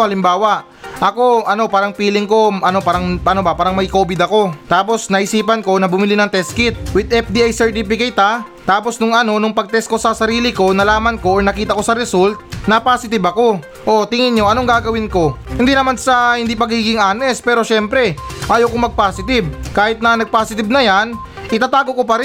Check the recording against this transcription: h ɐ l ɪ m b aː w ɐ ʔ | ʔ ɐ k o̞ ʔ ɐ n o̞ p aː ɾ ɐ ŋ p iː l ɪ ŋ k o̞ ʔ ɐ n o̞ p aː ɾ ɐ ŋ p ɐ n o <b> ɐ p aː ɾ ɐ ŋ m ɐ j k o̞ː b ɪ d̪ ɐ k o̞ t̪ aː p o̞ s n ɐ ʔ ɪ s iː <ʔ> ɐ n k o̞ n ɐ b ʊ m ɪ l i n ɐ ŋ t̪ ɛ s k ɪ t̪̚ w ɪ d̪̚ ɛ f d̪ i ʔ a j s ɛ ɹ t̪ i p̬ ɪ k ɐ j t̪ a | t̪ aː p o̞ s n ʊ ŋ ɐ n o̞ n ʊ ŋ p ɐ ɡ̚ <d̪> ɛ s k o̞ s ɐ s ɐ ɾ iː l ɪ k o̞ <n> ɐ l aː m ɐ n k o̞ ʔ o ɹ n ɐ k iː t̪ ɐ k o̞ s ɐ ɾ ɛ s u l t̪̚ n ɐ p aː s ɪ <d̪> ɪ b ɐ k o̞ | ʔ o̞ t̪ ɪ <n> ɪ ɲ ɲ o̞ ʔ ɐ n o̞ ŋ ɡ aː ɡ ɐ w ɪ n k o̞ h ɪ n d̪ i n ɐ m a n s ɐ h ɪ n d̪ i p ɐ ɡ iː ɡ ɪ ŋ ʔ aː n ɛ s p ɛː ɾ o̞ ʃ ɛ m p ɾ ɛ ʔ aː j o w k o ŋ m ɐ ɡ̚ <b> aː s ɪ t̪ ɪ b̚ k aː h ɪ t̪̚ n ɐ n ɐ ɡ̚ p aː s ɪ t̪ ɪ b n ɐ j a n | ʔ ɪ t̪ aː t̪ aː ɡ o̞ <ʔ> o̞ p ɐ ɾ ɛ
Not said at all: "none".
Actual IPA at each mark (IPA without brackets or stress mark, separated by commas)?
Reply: b, p, t̪, n, t̪, ŋ, p, k